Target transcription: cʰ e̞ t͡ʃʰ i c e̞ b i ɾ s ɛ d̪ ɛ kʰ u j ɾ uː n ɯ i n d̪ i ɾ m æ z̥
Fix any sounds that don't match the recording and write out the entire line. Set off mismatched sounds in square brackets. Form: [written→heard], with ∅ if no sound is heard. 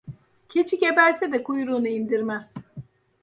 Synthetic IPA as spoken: cʰ e̞ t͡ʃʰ i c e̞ b [i→æ] ɾ s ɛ d̪ ɛ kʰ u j ɾ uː n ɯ i n d̪ i ɾ m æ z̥